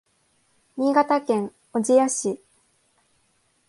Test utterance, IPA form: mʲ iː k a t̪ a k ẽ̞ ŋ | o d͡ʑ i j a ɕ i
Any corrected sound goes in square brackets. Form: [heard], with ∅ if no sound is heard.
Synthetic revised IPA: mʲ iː [ɡ] a t̪ a k ẽ̞ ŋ | o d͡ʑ i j a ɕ i